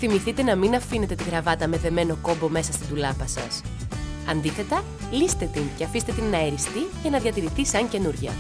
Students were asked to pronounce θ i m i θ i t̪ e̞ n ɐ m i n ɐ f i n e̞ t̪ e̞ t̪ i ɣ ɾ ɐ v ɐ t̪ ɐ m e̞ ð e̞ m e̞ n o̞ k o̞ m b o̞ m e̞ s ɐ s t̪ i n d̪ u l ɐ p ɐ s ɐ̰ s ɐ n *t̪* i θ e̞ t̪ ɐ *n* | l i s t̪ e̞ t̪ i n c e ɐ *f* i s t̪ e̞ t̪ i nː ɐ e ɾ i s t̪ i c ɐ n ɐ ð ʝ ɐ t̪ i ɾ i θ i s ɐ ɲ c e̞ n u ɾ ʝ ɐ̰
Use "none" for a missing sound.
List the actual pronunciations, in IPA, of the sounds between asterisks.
d̪, none, f

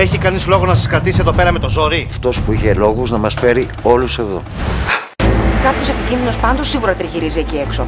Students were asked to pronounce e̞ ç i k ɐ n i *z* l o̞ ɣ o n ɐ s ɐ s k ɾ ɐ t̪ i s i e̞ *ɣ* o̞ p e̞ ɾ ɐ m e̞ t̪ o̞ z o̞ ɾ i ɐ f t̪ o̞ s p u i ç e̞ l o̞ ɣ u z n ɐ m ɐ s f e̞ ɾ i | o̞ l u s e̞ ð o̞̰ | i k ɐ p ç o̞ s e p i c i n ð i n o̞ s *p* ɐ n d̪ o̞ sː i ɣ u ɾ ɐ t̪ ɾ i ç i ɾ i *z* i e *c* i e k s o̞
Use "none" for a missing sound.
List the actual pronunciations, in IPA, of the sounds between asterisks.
z, ð, p, z, c

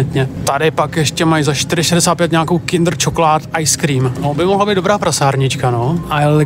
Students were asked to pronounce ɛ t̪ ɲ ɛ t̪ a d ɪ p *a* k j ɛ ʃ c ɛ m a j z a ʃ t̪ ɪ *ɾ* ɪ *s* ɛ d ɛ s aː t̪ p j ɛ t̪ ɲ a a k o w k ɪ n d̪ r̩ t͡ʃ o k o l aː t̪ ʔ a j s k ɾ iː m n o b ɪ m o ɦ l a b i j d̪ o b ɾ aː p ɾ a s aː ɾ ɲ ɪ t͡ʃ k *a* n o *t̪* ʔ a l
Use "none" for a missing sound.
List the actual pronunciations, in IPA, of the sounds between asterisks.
a, ɾ, ʃ, a, none

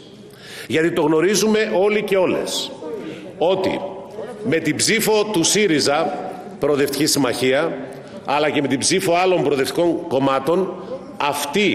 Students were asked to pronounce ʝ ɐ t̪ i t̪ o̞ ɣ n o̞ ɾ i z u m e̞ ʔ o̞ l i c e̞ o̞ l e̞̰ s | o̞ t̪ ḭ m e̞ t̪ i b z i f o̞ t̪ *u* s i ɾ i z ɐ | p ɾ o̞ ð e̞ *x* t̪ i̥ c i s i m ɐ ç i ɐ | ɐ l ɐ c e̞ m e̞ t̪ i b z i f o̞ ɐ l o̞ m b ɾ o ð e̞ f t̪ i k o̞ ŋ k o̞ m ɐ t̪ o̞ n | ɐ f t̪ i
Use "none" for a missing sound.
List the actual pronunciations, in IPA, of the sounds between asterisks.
u, f

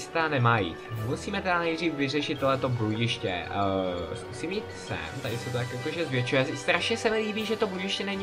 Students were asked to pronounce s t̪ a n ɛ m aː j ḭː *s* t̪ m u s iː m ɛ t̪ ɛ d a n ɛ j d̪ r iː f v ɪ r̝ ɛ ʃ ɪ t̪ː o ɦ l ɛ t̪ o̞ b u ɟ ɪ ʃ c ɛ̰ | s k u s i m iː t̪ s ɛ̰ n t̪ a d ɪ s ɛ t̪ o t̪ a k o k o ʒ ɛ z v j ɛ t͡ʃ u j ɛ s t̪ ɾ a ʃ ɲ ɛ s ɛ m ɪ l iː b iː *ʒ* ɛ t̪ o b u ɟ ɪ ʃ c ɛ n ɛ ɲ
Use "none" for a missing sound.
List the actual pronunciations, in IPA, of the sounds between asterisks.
none, ʒ

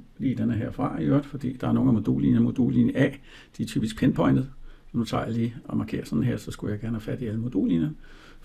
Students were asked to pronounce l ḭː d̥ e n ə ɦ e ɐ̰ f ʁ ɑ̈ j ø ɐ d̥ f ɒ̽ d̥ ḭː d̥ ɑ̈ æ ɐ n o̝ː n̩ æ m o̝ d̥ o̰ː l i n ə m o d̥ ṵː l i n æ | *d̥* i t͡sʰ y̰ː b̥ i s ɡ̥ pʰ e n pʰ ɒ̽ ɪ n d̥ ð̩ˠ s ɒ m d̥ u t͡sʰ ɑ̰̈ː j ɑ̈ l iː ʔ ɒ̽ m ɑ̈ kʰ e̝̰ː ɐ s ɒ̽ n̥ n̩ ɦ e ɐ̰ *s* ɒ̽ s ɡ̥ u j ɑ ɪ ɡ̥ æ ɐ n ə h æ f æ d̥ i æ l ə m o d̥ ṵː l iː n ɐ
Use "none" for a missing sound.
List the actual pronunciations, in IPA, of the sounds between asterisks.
d̥, s

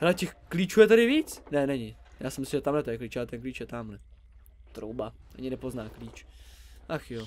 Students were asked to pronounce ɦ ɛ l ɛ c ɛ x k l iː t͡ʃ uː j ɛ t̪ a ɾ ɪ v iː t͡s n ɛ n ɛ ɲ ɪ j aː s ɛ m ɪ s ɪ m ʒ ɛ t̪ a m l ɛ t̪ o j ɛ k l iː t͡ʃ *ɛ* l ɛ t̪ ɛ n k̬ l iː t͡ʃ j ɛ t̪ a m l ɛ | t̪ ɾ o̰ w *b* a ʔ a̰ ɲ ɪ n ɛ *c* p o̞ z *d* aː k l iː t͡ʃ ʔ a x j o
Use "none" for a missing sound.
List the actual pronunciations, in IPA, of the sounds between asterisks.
a, b, none, n

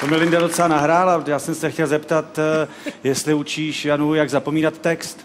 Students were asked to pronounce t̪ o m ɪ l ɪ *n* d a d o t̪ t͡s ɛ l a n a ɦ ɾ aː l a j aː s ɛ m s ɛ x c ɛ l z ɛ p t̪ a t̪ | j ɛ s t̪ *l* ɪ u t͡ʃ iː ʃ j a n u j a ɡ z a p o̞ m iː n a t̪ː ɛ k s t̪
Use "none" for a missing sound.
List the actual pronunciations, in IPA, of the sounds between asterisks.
n, l

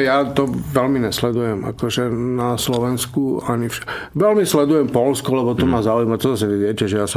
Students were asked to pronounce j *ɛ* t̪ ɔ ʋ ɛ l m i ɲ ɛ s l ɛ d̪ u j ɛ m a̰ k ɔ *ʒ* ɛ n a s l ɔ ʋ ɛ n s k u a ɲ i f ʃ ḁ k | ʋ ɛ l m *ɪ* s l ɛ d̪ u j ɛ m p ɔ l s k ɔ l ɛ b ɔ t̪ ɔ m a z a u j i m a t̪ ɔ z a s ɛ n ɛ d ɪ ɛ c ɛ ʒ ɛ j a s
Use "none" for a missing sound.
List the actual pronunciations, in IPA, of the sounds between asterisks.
a, ʒ, i

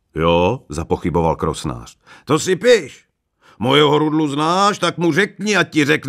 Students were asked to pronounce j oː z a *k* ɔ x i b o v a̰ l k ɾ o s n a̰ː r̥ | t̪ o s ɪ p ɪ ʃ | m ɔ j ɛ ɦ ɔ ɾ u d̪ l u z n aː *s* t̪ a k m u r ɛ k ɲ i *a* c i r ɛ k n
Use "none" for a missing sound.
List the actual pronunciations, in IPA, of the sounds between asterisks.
p, ʃ, a

